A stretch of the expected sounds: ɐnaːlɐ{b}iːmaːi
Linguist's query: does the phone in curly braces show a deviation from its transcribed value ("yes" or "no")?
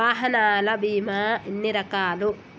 no